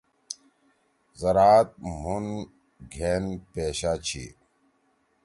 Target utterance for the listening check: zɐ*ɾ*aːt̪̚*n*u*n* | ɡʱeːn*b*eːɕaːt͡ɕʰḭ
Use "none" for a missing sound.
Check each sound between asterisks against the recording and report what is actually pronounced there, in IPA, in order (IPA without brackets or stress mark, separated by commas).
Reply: ɾ, m, n, p